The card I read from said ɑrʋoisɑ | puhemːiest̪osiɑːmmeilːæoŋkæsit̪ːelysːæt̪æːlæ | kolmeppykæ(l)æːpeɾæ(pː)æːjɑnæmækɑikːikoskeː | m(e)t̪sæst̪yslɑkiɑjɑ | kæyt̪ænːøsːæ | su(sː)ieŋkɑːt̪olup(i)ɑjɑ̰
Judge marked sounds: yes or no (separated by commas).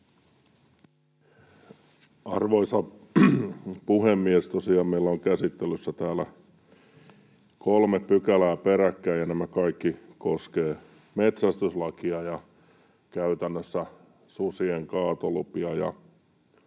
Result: yes, no, yes, no, yes